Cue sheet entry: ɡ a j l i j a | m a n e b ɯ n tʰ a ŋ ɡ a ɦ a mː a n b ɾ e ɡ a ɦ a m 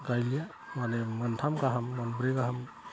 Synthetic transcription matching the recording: ɡ a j l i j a | m a n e m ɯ n tʰ a m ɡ a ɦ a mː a n b ɾ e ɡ a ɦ a m